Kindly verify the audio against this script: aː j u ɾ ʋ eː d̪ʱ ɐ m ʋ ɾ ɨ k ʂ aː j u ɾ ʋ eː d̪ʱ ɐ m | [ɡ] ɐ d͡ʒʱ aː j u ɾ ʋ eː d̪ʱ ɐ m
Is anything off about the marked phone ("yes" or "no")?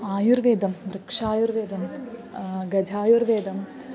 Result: no